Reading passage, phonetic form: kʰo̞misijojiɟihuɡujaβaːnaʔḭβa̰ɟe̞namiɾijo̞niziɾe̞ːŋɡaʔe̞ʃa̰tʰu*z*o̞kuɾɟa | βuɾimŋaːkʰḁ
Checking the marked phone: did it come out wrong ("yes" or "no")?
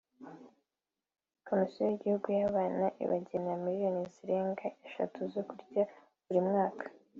no